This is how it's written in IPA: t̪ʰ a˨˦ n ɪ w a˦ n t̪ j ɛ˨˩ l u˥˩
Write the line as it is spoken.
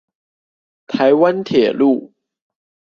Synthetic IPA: t̪ʰ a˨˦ ɪ w a˦ n t̪ʰ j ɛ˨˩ l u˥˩